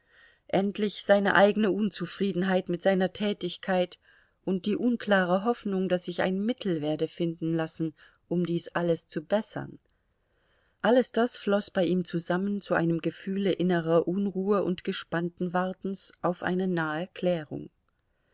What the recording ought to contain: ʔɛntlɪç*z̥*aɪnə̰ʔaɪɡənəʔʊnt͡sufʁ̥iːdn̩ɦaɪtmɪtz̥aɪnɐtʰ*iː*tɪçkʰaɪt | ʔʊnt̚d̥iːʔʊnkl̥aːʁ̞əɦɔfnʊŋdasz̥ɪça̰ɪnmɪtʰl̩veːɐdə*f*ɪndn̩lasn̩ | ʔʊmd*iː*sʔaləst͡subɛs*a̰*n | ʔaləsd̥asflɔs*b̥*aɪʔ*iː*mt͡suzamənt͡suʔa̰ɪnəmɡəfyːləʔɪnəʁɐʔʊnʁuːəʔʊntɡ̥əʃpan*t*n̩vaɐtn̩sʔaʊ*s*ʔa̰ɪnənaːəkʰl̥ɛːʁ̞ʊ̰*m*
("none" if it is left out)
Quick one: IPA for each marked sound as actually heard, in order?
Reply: z̥, ɛː, f, iː, ɐ̰, b̥, iː, t, f, ŋ

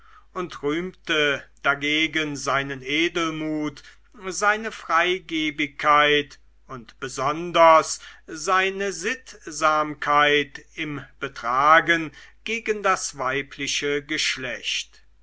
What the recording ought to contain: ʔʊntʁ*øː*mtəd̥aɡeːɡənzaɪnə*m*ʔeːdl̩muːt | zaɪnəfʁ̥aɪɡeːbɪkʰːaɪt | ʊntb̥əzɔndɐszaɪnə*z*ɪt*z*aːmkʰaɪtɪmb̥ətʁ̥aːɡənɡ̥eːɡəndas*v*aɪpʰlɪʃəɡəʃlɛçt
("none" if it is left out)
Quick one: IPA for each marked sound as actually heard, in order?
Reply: yː, n, z, z, v

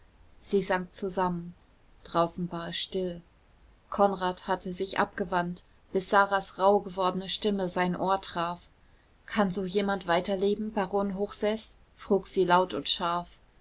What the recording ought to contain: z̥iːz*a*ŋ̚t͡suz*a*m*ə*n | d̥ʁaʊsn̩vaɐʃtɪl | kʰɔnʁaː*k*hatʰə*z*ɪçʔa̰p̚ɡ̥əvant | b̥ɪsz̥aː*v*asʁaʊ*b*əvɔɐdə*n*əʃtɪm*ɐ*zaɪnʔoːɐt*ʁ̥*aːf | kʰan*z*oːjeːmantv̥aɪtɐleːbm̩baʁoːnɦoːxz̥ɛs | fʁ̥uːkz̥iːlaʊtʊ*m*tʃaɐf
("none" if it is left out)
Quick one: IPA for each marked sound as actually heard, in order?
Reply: a, a, ə, t, z, ʁ, ɡ, n, ə, ʁ̥, z, n

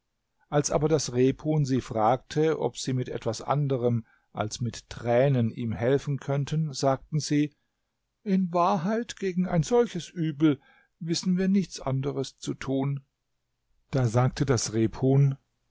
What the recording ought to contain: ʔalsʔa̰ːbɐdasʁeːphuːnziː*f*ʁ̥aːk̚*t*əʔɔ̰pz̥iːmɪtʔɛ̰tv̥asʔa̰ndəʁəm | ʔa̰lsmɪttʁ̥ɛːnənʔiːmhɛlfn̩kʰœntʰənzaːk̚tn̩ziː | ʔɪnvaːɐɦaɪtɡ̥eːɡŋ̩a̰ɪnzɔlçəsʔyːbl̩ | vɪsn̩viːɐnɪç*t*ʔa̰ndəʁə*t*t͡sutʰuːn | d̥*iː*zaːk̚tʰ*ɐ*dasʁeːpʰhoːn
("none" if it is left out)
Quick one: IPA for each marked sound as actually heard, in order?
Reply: f, tʰ, t͡s, s, aː, ə

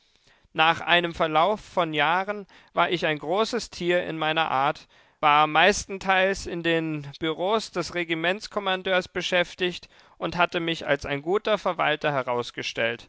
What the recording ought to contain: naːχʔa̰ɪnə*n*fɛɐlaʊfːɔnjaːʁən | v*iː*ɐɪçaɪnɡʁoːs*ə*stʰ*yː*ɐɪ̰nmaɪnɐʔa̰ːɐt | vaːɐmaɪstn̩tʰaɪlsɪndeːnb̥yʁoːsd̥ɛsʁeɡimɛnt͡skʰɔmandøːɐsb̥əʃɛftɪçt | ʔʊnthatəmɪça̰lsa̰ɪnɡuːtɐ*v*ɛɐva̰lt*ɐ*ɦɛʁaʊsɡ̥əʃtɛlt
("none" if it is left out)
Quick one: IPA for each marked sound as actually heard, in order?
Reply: m, aː, ə, iː, f, ɐ

